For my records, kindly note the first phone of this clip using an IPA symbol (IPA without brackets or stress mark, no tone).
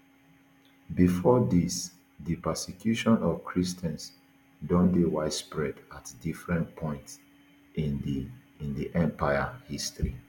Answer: b